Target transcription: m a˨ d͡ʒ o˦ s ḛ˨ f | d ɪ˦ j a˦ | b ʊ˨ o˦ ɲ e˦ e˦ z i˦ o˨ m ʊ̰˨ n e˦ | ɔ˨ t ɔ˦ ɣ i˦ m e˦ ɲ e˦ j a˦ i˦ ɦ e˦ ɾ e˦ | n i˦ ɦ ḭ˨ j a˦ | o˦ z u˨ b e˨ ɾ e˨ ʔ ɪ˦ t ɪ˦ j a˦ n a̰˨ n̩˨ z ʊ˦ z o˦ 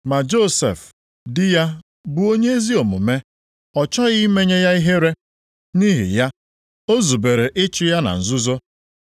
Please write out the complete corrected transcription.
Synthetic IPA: m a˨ d͡ʒ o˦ s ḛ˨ f | d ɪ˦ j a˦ | b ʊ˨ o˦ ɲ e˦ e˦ z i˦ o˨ m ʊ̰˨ m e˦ | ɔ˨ t͡ʃ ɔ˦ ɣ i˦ m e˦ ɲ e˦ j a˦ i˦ ɦ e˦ ɾ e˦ | n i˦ ɦ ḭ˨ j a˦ | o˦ z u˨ b e˨ ɾ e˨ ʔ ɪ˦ t͡ʃ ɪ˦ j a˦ n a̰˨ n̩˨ z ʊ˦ z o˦

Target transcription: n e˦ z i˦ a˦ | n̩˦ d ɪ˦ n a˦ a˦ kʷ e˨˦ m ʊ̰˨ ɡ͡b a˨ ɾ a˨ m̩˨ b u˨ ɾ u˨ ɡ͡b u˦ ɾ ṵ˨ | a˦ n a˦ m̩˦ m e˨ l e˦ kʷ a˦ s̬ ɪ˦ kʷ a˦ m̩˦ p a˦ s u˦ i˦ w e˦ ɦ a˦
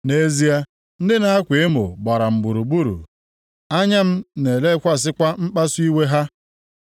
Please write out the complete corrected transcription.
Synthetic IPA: n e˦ z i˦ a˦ | n̩˦ d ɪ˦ n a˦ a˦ kʷ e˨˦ m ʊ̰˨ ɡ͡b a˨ ɾ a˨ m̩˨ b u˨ ɾ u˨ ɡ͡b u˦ ɾ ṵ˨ | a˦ ɲ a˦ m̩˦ n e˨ l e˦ kʷ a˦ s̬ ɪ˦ kʷ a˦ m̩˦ k͡p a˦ s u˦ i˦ w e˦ ɦ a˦

